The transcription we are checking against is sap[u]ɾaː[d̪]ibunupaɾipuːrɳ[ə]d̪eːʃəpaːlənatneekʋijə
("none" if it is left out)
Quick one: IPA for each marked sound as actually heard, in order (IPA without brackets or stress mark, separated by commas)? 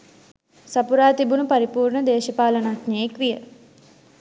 u, t̪, ə